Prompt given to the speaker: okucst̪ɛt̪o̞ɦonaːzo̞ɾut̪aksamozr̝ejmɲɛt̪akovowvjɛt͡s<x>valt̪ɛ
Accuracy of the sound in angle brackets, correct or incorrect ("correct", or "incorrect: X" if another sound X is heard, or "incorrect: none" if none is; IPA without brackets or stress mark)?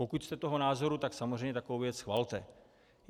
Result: correct